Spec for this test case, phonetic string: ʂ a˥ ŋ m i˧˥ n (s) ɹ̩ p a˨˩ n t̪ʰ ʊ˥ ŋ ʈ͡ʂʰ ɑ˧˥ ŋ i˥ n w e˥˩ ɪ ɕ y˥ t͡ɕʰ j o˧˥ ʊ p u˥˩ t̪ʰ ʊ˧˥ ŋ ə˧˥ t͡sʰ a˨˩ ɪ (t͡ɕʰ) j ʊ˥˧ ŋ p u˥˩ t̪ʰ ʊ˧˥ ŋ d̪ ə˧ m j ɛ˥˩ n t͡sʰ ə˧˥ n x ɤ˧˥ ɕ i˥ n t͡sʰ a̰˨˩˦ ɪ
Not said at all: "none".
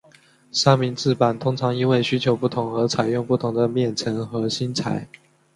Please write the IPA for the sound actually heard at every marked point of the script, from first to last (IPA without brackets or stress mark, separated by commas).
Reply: t͡s, none